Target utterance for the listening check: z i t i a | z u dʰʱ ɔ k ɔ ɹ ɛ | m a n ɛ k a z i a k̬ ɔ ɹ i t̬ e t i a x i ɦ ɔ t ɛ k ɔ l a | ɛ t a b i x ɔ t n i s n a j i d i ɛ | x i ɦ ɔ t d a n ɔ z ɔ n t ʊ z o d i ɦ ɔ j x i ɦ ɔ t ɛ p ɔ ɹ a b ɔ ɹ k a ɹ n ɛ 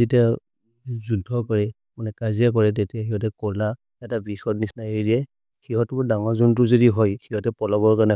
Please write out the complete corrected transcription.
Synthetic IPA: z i t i a | z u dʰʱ ɔ k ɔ ɹ ɛ | m a n ɛ k a z i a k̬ ɔ ɹ ɛ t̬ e t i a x i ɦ ɔ t ɛ k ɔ l a | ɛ t a b i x ɔ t n i s n a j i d i ɛ | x i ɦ ɔ t d a ŋ ɔ z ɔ n t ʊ z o d i ɦ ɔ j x i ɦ ɔ t ɛ p ɔ l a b ɔ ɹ k a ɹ n ɛ